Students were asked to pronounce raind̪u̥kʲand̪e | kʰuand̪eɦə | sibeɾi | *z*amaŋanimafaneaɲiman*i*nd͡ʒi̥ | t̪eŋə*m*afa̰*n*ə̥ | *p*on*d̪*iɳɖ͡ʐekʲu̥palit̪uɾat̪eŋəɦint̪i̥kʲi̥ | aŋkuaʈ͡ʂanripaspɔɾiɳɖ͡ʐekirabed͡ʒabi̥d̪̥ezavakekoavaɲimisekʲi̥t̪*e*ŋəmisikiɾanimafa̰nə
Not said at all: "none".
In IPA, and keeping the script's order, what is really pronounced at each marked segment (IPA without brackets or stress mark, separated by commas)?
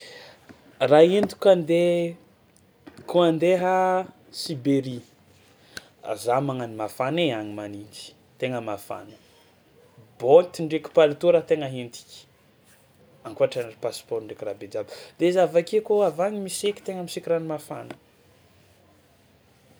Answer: z, i, m, n, b, t̪, e